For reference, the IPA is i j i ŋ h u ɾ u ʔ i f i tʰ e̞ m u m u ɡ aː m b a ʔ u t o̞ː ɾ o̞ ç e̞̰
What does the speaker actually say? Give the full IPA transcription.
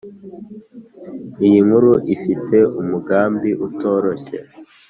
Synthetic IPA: i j i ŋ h u ɾ u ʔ i f i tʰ e̞ u m u ɡ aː m b i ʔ u t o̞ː ɾ o̞ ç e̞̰